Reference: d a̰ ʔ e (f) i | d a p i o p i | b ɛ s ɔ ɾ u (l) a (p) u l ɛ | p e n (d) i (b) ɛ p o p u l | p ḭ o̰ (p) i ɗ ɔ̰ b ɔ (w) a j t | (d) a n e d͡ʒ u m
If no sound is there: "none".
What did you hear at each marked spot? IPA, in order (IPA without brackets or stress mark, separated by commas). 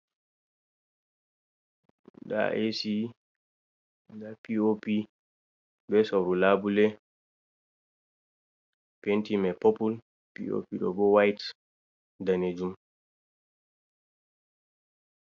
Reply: s, l, b, t, m, p, w, d